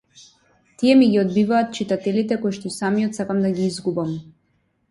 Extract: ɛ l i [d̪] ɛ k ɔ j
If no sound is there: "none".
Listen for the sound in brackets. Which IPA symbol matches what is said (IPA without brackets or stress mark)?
t̪